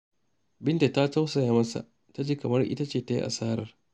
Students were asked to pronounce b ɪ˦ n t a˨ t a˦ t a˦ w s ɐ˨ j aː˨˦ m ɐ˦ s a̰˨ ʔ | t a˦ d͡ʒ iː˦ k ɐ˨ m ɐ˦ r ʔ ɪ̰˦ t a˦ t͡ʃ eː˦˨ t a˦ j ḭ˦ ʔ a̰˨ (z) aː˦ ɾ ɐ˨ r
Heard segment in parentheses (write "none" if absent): s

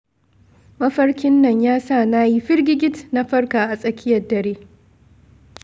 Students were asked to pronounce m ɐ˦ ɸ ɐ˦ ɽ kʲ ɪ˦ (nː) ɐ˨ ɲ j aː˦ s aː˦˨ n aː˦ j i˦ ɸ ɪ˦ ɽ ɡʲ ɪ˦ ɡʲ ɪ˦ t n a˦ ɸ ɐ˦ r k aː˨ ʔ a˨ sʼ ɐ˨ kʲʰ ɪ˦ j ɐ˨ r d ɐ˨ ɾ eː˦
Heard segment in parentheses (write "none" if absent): nː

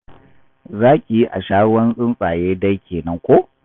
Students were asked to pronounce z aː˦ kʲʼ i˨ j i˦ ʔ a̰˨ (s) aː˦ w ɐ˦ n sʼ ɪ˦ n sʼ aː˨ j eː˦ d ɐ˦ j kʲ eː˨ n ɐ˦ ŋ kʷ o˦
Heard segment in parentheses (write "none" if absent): ʃ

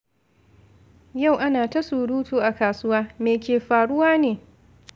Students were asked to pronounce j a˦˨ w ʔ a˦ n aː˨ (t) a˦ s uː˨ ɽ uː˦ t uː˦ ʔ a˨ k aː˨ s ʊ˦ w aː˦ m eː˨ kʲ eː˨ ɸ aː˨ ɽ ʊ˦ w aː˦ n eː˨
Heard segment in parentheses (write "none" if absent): t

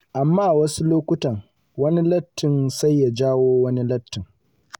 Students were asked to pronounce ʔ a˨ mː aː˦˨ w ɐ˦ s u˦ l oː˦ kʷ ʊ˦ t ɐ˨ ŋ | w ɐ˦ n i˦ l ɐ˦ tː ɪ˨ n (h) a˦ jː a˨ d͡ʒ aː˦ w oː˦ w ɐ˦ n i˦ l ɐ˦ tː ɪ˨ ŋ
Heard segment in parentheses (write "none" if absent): s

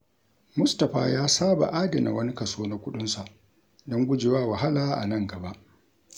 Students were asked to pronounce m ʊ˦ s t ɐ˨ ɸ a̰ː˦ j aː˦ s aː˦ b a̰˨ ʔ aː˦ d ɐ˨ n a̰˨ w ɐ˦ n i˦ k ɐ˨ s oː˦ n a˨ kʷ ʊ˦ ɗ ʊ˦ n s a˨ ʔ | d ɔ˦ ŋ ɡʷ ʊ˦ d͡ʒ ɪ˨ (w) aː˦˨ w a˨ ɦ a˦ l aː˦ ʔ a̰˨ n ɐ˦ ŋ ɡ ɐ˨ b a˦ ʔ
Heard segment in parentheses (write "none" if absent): w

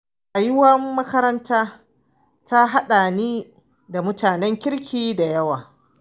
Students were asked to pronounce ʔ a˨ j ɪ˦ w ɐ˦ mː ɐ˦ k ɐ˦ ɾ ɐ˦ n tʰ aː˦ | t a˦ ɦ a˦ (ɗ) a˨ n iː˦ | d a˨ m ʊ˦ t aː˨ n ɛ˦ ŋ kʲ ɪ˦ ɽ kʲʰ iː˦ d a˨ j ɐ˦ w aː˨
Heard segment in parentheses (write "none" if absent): ɗ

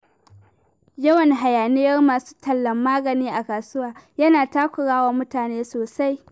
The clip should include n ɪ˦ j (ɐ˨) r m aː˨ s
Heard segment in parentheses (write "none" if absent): ɐ˦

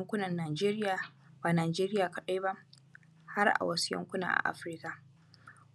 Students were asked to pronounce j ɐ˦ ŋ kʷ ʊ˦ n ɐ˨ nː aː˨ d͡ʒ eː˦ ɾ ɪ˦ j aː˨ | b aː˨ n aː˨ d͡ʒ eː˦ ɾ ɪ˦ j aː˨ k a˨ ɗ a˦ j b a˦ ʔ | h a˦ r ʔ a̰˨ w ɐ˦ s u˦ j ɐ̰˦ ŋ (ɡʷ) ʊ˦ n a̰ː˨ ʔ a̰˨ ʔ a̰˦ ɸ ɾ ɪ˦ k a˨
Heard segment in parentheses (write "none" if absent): kʷ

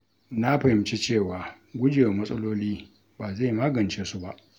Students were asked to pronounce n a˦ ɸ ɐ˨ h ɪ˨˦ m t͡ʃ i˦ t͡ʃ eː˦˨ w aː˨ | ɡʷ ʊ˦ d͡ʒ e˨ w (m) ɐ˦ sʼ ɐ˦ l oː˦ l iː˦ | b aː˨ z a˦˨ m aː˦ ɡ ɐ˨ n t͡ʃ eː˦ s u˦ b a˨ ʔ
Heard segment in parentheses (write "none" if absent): m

